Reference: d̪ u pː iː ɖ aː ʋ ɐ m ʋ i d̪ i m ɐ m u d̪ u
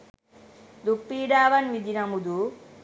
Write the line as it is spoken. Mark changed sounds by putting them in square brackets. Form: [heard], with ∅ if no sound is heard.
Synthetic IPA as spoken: d̪ u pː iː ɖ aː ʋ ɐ [n] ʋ i d̪ i [n] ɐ m u d̪ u

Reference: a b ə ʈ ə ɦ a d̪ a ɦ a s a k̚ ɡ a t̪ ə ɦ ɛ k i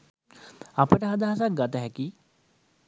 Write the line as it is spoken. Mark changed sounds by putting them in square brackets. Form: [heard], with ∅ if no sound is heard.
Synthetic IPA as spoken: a [p] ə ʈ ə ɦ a d̪ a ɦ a s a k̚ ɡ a t̪ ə ɦ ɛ k i

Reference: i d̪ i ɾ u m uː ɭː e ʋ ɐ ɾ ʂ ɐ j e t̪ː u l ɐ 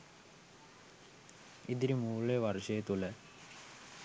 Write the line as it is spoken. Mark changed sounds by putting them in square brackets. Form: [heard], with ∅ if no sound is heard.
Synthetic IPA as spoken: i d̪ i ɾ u m uː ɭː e ʋ ɐ [r] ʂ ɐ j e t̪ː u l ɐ

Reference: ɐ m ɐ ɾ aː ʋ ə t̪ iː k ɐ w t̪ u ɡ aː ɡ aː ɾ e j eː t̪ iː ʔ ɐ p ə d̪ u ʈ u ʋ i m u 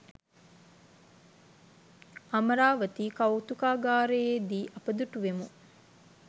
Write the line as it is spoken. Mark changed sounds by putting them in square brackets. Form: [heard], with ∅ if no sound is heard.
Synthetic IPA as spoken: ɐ m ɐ ɾ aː ʋ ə t̪ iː k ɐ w t̪ u [k] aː ɡ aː ɾ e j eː [d̪] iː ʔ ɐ p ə d̪ u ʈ u ʋ [e] m u

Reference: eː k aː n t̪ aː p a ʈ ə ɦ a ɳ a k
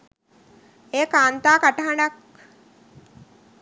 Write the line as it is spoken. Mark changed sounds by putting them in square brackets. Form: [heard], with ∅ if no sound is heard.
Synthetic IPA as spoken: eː k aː n t̪ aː [k] a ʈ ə ɦ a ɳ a k

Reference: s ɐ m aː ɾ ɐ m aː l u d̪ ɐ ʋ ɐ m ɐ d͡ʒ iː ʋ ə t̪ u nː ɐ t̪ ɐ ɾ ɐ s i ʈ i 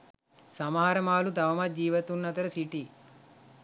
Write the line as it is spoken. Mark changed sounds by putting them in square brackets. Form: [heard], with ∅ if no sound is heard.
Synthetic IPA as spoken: s ɐ m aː ɾ ɐ m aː l u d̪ ɐ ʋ ɐ m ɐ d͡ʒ iː ʋ [ɐ] t̪ u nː ɐ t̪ ɐ ɾ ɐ s i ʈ i

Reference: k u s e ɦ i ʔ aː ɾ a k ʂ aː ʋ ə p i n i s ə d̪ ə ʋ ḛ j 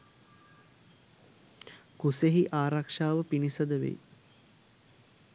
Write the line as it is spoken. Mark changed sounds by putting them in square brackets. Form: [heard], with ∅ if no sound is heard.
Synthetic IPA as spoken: k u s e ɦ i ʔ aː ɾ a k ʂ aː ʋ ə p i n i s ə d̪ ə ʋ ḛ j

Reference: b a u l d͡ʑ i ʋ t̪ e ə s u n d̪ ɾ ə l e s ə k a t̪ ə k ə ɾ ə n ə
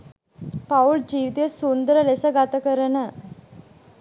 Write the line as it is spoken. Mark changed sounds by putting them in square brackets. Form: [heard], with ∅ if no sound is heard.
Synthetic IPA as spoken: [p] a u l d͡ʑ i ʋ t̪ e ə s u n d̪ ɾ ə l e s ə [ɡ] a t̪ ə k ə ɾ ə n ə

